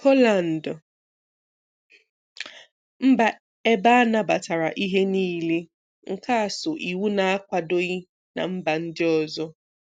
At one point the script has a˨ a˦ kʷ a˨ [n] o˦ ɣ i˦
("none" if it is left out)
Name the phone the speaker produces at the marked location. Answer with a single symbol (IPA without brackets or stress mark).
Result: d